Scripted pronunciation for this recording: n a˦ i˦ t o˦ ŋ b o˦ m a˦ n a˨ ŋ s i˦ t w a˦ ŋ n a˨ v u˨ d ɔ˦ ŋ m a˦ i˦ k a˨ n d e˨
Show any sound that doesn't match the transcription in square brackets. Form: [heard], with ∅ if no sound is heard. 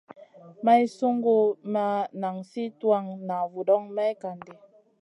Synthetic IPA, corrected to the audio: [m] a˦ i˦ [s] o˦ ŋ [ɡ] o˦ m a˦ n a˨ ŋ s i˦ t w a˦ ŋ n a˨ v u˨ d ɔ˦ ŋ m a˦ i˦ k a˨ n d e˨